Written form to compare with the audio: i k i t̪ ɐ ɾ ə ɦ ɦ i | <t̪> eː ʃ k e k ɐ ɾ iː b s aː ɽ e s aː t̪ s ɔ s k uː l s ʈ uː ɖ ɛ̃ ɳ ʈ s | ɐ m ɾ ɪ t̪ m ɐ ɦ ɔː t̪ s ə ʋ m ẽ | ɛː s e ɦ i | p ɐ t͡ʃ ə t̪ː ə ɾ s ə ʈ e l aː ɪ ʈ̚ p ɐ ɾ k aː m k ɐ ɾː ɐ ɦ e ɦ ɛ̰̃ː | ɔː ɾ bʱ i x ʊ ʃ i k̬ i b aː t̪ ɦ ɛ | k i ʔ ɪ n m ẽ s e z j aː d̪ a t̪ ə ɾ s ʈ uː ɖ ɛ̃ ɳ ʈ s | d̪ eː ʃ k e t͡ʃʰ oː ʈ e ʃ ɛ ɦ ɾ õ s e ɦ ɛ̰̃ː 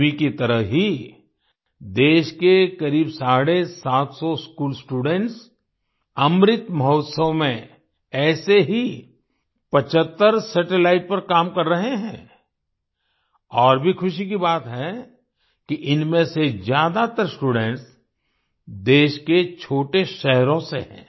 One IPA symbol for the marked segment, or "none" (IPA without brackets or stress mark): d̪